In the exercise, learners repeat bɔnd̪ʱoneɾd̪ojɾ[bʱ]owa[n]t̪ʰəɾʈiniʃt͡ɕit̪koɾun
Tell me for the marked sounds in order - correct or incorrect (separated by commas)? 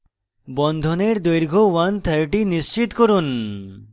incorrect, correct